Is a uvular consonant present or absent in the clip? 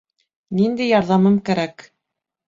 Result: absent